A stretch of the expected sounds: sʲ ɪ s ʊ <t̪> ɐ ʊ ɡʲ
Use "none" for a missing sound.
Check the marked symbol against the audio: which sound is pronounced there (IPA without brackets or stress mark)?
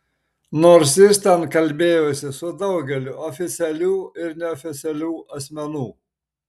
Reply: d̪